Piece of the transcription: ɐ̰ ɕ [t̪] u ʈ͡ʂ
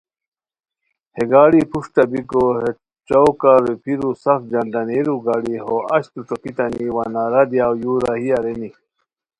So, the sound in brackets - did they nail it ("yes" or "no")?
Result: yes